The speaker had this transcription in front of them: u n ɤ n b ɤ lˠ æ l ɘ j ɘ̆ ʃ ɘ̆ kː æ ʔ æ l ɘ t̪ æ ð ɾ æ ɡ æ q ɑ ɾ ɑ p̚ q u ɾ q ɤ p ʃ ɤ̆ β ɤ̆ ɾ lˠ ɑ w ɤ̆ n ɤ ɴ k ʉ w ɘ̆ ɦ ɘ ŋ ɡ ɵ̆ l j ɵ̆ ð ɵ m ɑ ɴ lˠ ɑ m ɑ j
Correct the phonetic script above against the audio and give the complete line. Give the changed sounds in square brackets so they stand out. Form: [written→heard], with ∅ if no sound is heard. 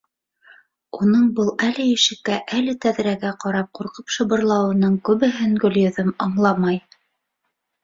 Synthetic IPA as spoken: u n ɤ [n→ɴ] b ɤ lˠ æ l ɘ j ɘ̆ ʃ ɘ̆ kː æ ʔ æ l ɘ t̪ æ ð ɾ æ ɡ æ q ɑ ɾ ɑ p̚ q u ɾ q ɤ p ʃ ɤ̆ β ɤ̆ ɾ lˠ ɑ w ɤ̆ n ɤ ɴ k ʉ [w→β] ɘ̆ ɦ ɘ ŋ ɡ ɵ̆ l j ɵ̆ ð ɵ m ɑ ɴ lˠ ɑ m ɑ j